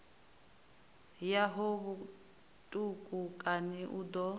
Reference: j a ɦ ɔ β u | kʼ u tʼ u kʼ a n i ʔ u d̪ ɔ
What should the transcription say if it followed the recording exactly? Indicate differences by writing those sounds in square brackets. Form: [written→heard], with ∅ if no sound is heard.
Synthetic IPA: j a ɦ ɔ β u | [kʼ→tʼ] u [tʼ→kʼ] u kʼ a n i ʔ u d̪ ɔ